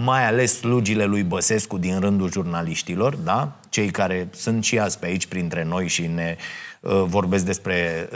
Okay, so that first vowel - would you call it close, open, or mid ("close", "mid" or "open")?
open